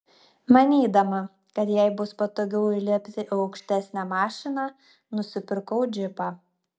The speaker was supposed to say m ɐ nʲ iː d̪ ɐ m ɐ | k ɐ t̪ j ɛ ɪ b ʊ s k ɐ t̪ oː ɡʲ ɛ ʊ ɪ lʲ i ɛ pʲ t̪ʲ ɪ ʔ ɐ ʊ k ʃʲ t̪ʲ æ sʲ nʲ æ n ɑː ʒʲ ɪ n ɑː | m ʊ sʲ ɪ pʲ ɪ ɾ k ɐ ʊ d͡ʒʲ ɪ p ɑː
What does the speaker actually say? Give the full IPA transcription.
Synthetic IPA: m ɐ nʲ iː d̪ ɐ m ɐ | k ɐ t̪ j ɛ ɪ b ʊ s p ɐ t̪ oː ɡʲ ɛ ʊ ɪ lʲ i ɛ pʲ t̪ʲ ɪ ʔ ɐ ʊ k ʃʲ t̪ʲ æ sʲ nʲ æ m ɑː ʃʲ ɪ n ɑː | n ʊ sʲ ɪ pʲ ɪ ɾ k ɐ ʊ d͡ʒʲ ɪ p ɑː